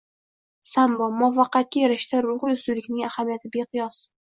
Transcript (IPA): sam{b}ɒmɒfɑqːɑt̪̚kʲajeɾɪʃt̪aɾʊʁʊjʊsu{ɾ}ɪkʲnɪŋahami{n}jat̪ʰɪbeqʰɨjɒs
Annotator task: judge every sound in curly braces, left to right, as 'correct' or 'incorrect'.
correct, incorrect: l, incorrect: none

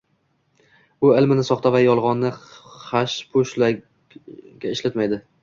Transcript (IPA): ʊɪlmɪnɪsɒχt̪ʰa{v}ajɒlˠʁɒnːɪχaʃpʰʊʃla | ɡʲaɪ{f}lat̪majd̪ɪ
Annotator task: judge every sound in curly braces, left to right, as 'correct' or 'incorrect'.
correct, incorrect: ʃ

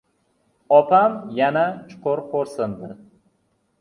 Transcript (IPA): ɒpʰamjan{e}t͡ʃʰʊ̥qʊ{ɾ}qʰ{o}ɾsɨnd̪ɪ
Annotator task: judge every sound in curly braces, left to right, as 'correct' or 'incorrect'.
incorrect: a, correct, correct

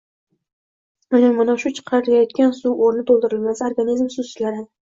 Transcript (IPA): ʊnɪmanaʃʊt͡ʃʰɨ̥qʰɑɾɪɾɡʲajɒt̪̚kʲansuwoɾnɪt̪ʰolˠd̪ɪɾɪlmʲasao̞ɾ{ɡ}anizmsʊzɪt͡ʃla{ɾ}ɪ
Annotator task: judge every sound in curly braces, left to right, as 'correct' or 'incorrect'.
correct, correct

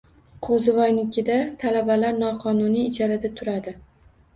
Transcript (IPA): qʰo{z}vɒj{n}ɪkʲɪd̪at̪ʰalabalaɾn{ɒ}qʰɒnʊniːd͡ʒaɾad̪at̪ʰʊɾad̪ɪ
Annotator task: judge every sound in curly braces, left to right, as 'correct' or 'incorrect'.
correct, correct, correct

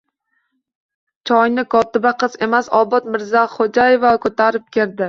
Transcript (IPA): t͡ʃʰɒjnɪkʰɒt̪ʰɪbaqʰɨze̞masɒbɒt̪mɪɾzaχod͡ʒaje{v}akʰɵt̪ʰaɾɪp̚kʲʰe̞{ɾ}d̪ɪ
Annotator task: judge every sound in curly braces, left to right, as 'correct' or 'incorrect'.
correct, correct

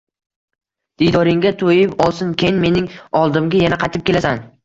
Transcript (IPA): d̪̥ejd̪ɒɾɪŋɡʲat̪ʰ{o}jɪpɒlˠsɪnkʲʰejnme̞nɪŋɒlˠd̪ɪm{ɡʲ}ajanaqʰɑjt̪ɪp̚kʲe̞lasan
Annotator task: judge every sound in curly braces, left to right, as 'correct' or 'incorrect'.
correct, correct

